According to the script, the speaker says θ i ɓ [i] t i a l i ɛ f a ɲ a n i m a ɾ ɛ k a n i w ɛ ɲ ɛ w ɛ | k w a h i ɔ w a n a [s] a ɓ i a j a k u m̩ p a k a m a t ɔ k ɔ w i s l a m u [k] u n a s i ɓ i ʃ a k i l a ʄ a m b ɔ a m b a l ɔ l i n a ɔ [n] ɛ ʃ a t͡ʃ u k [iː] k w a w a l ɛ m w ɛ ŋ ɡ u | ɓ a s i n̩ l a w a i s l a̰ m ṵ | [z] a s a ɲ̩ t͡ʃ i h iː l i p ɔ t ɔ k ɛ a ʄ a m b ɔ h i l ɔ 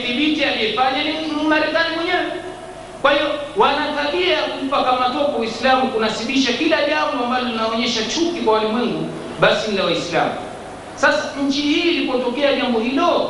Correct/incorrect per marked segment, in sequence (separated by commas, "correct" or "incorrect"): correct, incorrect, correct, incorrect, incorrect, incorrect